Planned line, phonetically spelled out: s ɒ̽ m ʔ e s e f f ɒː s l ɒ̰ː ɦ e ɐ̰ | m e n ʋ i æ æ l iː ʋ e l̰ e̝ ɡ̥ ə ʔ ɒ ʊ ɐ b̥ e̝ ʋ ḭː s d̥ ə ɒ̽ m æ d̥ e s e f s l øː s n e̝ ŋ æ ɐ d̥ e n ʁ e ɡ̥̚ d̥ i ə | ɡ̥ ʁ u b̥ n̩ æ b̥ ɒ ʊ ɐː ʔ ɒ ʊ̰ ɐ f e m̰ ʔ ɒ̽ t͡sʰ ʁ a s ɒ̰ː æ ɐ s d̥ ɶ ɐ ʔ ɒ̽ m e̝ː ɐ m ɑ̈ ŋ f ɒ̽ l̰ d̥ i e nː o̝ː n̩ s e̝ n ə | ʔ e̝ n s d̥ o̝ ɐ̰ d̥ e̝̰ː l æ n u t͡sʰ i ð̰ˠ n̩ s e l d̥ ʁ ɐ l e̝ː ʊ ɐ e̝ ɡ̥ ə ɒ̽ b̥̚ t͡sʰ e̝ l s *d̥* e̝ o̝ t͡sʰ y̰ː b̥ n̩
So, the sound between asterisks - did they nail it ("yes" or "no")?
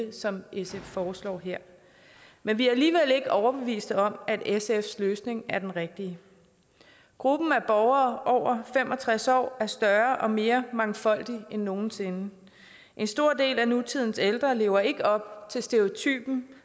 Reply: yes